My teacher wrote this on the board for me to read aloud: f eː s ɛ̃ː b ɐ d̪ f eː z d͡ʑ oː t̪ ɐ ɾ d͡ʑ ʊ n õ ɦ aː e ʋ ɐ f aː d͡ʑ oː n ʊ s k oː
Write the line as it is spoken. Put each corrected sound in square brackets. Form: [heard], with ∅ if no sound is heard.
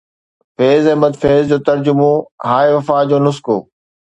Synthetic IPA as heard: f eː [z] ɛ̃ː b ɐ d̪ f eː z d͡ʑ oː t̪ ɐ ɾ d͡ʑ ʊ [m] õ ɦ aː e ʋ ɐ f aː d͡ʑ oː n ʊ s k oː